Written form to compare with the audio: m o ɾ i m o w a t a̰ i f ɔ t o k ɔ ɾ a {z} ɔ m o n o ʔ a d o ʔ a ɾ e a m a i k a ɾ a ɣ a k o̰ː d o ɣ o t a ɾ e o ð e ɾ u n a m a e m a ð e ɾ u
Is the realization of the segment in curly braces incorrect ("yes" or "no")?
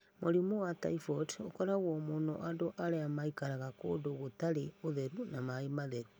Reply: yes